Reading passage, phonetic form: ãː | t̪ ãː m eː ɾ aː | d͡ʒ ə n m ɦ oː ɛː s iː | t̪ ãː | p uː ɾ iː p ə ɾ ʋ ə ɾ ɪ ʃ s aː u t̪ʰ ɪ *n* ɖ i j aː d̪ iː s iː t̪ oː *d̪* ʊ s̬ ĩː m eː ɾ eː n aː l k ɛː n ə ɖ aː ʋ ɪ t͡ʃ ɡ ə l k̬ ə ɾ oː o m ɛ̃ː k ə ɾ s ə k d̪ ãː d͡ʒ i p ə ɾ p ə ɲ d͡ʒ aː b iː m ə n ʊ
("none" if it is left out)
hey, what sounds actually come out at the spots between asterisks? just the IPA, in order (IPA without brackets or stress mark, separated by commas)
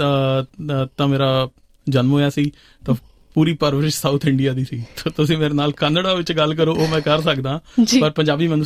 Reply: ɳ, t̪